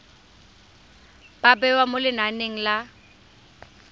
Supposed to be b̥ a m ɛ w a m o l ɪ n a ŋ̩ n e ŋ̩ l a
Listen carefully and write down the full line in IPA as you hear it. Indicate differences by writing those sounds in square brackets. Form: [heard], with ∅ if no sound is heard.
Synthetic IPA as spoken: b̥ a [b] ɛ w a m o l ɪ n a [∅] n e ŋ̩ l a